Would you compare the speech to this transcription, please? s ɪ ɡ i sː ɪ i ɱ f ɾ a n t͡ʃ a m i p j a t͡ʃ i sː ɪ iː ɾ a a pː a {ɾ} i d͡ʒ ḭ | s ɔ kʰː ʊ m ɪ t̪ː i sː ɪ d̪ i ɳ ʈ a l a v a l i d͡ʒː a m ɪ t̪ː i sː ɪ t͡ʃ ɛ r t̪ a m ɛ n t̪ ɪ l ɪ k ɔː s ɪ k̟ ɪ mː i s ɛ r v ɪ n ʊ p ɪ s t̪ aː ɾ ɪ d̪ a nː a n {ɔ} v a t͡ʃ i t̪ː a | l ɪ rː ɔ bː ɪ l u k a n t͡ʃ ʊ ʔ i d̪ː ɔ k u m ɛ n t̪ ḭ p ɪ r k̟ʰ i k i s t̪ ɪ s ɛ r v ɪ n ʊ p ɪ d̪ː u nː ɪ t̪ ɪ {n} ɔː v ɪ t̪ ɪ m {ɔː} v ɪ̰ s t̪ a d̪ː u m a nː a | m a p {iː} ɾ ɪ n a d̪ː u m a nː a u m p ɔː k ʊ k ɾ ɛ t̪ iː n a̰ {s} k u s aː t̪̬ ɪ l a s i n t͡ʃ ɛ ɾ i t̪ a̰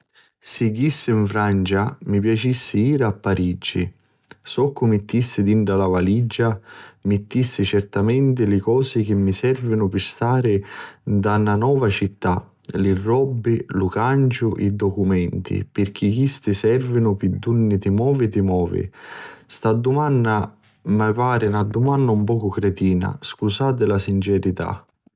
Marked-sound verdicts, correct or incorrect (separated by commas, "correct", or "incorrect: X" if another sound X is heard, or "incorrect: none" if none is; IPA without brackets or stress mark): correct, incorrect: ɔː, incorrect: m, correct, incorrect: aː, correct